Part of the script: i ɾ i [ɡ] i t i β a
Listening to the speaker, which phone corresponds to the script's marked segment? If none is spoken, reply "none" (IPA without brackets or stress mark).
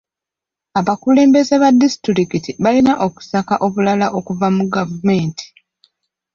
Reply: k